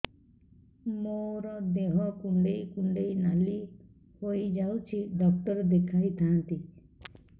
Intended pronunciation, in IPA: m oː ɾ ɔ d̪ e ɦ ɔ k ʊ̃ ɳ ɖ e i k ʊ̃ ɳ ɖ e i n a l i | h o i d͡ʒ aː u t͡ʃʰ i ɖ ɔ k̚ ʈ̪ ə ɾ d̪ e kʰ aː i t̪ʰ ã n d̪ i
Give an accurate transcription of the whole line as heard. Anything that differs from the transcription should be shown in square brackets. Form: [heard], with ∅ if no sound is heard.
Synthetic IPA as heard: m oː ɾ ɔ d̪ e ɦ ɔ k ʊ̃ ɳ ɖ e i k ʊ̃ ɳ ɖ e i n a l i | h o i d͡ʒ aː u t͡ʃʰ i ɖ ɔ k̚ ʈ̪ ə ɾ d̪ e kʰ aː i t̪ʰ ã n [t̪] i